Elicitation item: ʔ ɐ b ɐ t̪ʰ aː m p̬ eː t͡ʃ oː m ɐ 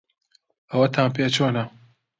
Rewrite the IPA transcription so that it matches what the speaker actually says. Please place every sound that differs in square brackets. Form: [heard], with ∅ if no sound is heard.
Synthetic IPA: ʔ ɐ [w] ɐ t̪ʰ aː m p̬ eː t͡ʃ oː [n] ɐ

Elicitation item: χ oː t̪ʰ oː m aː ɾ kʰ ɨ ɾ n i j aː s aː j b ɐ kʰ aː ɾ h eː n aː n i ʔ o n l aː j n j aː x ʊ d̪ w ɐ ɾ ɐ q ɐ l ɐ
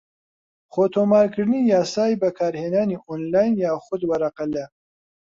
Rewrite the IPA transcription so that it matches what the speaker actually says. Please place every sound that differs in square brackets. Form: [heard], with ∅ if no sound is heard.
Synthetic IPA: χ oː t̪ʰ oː m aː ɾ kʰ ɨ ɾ n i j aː s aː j b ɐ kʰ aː ɾ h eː n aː n i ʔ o n l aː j n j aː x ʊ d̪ w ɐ ɾ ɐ q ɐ l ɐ

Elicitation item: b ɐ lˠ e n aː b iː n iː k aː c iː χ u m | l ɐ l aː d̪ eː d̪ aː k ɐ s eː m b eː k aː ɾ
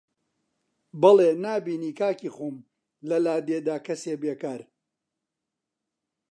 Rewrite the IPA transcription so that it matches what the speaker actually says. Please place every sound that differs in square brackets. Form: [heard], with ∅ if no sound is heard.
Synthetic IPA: b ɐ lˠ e n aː b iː n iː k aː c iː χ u m | l ɐ l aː d̪ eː d̪ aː k ɐ s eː [∅] b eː k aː ɾ

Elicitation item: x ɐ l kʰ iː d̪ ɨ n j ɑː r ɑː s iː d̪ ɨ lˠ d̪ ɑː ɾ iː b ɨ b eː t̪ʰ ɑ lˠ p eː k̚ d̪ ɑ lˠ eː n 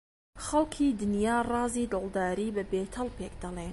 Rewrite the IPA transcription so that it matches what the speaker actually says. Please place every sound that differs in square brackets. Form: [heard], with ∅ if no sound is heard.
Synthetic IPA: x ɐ l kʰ iː d̪ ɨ n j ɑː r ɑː [z] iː d̪ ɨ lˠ d̪ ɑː ɾ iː b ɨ b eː t̪ʰ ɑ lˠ p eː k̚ d̪ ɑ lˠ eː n

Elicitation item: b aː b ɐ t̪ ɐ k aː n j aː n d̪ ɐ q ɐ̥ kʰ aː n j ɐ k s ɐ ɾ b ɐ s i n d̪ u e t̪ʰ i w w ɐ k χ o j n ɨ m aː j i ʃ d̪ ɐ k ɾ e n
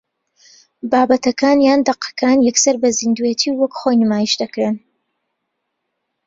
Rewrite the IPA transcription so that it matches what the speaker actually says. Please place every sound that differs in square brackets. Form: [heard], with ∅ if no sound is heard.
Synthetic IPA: b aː b ɐ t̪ ɐ k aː n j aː n d̪ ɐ q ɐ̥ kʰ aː n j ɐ k s ɐ ɾ b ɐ [z] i n d̪ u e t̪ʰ i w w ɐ k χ o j n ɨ m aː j i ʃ d̪ ɐ k ɾ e n

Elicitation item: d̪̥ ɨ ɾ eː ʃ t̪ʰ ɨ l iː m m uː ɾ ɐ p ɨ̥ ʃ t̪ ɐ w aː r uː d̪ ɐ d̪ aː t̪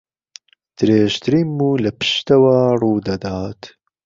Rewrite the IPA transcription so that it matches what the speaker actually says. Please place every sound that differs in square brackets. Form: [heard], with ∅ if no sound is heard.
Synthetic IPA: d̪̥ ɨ ɾ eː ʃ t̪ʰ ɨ [ɾ] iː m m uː [l] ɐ p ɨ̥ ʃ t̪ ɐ w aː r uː d̪ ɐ d̪ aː t̪

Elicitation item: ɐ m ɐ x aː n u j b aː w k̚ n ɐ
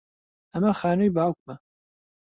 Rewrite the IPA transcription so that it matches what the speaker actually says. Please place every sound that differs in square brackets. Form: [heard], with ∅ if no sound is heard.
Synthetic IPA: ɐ m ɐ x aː n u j b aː w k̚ [m] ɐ

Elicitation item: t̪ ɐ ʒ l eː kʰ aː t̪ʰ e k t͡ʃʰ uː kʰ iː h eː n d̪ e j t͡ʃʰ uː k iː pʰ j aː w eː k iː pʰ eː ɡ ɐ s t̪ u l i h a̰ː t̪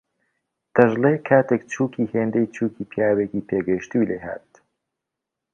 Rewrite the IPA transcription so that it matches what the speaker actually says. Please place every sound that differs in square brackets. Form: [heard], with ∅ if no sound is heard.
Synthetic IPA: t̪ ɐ ʒ l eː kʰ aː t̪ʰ e k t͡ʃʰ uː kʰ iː h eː n d̪ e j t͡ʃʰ uː k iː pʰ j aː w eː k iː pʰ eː ɡ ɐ [ʃ] t̪ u l [e] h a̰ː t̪

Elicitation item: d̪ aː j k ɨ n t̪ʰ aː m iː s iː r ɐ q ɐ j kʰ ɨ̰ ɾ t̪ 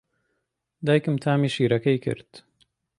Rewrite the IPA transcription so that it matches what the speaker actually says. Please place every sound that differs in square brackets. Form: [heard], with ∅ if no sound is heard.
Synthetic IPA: d̪ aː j k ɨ [m] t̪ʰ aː m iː [ʃ] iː [ɾ] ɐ [k] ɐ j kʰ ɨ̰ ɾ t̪

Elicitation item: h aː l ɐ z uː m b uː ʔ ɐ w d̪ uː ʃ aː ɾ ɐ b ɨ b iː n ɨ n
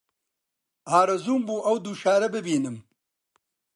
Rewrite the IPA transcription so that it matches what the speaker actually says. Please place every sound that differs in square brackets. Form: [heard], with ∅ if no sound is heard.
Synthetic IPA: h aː [ɾ] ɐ z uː m b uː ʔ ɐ w d̪ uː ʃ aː ɾ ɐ b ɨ b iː n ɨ [m]

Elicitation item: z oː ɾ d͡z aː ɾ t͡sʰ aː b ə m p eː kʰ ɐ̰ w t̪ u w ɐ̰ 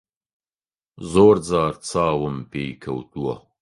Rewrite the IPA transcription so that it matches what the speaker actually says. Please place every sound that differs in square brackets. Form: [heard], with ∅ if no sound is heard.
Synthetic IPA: z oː ɾ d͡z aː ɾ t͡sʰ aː [w] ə m p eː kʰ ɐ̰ w t̪ u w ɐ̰

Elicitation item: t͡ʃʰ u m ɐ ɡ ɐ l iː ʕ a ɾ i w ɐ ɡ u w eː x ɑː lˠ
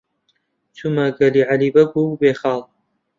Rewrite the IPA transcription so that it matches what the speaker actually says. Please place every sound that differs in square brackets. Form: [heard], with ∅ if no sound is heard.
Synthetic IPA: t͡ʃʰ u m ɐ ɡ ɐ l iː ʕ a [l] i [b] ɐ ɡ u [b] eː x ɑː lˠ

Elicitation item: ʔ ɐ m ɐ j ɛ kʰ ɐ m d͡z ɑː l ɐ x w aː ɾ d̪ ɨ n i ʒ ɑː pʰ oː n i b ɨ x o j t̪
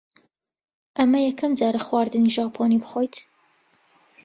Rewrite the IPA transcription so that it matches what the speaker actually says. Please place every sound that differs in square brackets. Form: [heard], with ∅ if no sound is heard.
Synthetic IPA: ʔ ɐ m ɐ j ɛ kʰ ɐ m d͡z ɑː [ɾ] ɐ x w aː ɾ d̪ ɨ n i ʒ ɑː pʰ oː n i b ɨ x o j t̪

